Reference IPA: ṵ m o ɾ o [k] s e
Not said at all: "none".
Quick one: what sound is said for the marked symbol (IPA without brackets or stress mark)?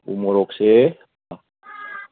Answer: k